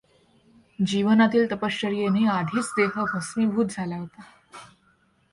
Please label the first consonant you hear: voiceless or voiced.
voiced